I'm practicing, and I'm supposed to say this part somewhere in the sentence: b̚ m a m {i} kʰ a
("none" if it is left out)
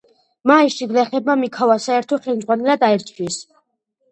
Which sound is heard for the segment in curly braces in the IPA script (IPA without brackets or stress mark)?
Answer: i